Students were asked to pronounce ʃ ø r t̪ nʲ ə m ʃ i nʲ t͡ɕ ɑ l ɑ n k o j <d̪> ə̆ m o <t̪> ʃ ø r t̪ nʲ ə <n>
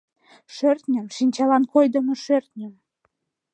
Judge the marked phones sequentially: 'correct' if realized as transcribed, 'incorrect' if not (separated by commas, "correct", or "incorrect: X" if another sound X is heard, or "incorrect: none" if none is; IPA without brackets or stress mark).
correct, incorrect: none, incorrect: m